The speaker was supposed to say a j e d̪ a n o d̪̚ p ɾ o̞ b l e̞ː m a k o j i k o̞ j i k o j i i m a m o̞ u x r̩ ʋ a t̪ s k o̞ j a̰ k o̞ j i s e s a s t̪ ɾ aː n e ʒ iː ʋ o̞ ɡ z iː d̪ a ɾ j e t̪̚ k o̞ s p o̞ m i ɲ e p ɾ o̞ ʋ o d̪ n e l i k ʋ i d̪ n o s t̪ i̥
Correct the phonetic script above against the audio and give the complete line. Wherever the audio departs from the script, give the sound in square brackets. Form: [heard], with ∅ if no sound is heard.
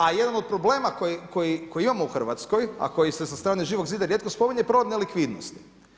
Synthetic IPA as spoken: a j e d̪ a n o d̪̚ p ɾ o̞ b l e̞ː m a k o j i k o̞ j i k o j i i m a m o̞ u x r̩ ʋ a t̪ s k o̞ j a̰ k o̞ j i s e s a s t̪ ɾ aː n e ʒ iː ʋ o̞ ɡ z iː d̪ a ɾ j e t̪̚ k o̞ s p o̞ m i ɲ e p ɾ o̞ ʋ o d̪ n e l i k ʋ i d̪ n o s t̪ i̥

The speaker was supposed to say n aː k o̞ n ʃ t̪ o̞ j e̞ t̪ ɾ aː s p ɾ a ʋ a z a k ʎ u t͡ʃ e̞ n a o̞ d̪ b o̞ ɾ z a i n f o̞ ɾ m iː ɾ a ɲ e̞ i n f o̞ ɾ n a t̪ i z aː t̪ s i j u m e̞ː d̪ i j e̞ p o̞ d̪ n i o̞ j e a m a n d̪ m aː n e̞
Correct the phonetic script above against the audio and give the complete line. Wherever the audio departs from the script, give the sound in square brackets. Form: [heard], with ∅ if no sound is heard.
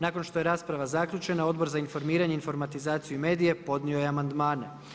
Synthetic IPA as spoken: n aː k o̞ n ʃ t̪ o̞ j e̞ [∅] ɾ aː s p ɾ a ʋ a z a k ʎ u t͡ʃ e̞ n a o̞ d̪ b o̞ ɾ z a i n f o̞ ɾ m iː ɾ a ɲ e̞ i n f o̞ ɾ [m] a t̪ i z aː t̪ s i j u m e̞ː d̪ i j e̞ p o̞ d̪ n i o̞ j e a m a n d̪ m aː n e̞

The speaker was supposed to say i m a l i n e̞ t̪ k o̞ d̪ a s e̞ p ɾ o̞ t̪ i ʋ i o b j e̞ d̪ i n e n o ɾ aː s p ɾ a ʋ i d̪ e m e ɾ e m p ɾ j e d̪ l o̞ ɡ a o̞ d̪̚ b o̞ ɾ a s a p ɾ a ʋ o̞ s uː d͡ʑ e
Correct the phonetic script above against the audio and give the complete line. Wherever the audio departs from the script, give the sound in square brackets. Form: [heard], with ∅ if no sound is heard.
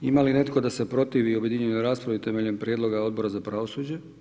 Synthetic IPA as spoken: i m a l i n e̞ t̪ k o̞ d̪ a s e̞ p ɾ o̞ t̪ i ʋ i o b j e̞ d̪ i [ɲ] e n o ɾ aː s p ɾ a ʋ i [t̪] e m e [ʎ] e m p ɾ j e d̪ l o̞ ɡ a o̞ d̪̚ b o̞ ɾ a [z] a p ɾ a ʋ o̞ s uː d͡ʑ e

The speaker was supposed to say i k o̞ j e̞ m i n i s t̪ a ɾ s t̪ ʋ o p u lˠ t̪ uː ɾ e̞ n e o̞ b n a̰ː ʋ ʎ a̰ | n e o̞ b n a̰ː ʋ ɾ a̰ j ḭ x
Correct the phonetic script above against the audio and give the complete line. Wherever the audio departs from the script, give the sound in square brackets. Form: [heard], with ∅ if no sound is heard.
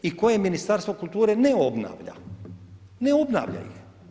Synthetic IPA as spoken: i k o̞ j e̞ m i n i s t̪ a ɾ s t̪ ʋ o [k] u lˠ t̪ uː ɾ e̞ n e o̞ b n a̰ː ʋ ʎ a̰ | n e o̞ b n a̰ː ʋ [ʎ] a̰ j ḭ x

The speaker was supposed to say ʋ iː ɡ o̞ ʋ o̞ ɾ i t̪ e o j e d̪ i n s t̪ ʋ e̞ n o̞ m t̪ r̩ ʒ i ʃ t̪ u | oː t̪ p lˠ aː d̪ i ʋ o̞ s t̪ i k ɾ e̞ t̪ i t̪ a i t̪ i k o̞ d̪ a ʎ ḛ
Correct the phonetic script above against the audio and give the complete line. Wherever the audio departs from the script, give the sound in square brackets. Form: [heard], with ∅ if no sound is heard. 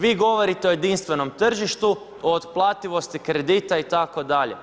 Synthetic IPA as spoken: ʋ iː ɡ o̞ ʋ o̞ ɾ i t̪ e o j e d̪ i n s t̪ ʋ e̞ n o̞ m t̪ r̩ ʒ i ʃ t̪ u | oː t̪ p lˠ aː [t̪] i ʋ o̞ s t̪ i k ɾ e̞ [d̪] i t̪ a i t̪ [a] k o̞ d̪ a ʎ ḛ

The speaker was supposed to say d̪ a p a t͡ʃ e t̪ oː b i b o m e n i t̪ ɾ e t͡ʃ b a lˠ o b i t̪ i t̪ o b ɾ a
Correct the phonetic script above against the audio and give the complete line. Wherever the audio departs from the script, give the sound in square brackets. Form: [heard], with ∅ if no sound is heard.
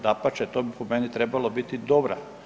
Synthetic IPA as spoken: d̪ a p a t͡ʃ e t̪ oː b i [p] o m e n i t̪ ɾ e [∅] b a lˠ o b i t̪ i [d̪] o b ɾ a

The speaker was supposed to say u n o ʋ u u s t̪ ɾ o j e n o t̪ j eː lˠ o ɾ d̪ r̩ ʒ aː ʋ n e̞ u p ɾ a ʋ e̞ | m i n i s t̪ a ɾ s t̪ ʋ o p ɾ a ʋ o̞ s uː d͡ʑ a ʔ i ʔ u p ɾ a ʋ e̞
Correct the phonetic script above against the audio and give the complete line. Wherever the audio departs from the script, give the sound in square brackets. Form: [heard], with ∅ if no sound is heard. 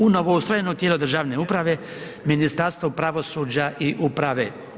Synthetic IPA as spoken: u n o ʋ [o] u s t̪ ɾ o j e n o t̪ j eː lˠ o [∅] d̪ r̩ ʒ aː ʋ n e̞ u p ɾ a ʋ e̞ | m i n i s t̪ a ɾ s t̪ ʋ o p ɾ a ʋ o̞ s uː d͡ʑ a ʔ i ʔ u p ɾ a ʋ e̞

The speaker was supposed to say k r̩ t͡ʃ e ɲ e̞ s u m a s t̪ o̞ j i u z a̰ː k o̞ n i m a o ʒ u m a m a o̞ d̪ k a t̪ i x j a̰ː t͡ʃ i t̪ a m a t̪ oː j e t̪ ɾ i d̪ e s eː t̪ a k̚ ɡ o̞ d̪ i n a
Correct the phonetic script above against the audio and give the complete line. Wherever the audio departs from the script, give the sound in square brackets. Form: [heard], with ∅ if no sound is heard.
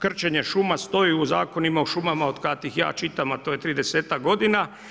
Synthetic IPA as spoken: k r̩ t͡ʃ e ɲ e̞ [ʃ] u m a s t̪ o̞ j i u z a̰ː k o̞ n i m a o [ʃ] u m a m a o̞ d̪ k a t̪ i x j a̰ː t͡ʃ i t̪ a m a t̪ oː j e t̪ ɾ i d̪ e s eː t̪ a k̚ ɡ o̞ d̪ i n a

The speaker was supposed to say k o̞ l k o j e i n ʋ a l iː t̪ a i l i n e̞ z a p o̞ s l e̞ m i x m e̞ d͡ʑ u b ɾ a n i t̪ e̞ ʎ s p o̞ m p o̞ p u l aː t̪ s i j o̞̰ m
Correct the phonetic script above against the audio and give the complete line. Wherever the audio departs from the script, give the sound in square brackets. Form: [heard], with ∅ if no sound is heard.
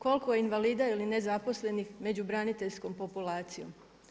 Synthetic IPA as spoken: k o̞ l k o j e i n ʋ a l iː [d̪] a i l i n e̞ z a p o̞ s l e̞ [n] i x m e̞ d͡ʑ u b ɾ a n i t̪ e̞ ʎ s [k] o̞ m p o̞ p u l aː t̪ s i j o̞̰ m

